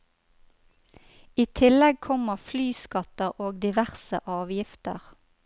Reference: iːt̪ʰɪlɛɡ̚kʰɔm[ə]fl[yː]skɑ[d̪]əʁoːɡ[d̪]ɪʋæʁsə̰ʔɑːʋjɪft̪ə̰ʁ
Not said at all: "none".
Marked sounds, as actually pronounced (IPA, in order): ə, yː, t̪, d̪

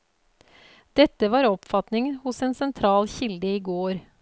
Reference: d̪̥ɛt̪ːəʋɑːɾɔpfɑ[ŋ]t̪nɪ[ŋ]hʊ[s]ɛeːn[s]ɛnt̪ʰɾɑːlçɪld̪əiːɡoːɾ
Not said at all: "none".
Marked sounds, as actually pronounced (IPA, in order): none, ŋ, s, s

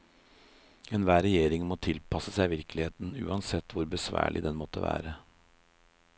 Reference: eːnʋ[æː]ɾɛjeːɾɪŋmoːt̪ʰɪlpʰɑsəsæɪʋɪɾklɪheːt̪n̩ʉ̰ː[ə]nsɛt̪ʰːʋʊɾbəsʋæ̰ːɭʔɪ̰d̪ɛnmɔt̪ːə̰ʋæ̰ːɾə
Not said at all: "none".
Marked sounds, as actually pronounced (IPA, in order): æː, ɑ

